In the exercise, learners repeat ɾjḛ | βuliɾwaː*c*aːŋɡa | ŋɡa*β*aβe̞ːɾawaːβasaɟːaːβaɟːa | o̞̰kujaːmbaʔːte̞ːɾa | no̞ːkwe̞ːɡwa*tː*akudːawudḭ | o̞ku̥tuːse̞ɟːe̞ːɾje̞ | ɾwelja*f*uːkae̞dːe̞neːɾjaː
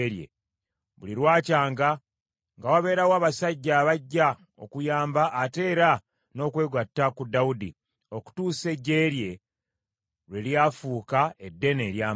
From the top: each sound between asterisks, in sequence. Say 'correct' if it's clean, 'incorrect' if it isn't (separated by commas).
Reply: correct, incorrect, correct, correct